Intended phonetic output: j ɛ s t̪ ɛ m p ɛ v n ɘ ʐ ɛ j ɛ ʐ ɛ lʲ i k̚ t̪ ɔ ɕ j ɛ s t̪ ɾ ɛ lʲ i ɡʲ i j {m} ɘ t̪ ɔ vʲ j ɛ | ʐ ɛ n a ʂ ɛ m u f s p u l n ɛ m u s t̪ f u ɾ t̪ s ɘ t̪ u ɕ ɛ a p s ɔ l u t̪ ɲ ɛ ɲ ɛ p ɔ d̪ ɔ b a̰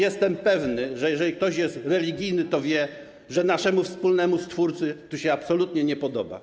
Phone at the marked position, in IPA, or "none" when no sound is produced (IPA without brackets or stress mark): n